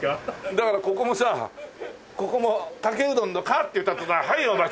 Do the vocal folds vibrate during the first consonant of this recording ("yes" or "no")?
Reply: yes